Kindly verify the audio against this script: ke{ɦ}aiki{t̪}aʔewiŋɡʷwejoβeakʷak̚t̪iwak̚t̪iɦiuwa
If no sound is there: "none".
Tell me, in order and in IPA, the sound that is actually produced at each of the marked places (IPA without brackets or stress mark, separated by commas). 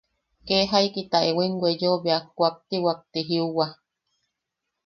ɦ, t̪